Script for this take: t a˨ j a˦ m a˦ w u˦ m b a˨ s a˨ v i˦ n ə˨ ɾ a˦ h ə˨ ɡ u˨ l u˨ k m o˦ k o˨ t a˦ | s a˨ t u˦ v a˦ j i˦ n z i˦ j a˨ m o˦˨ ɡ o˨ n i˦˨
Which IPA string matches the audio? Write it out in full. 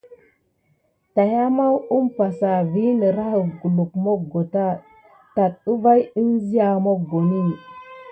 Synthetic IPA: t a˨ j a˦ m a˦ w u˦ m p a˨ s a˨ v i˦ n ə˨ ɾ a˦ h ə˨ ɡ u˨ l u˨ k m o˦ ɡ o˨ t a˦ | t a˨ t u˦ v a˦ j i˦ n z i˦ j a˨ m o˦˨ ɡ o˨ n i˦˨